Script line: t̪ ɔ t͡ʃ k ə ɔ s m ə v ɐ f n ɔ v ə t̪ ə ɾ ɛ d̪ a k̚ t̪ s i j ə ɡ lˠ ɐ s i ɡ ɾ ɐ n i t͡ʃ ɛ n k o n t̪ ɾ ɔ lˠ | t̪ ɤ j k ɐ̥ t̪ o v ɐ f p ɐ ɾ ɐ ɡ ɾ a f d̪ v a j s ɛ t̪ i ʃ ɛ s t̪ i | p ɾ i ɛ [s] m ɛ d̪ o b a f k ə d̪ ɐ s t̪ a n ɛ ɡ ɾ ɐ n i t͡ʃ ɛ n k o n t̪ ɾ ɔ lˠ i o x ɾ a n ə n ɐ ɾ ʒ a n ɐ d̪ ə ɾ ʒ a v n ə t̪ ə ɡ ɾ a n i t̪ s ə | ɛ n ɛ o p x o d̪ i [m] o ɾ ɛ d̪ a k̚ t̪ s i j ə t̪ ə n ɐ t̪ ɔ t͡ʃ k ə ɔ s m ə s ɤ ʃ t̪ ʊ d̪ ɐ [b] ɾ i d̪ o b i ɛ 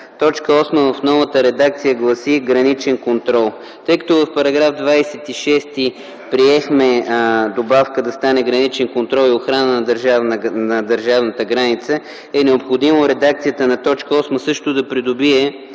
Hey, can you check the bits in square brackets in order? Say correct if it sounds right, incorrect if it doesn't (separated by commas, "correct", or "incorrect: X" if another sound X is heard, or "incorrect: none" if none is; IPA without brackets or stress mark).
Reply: incorrect: x, correct, incorrect: p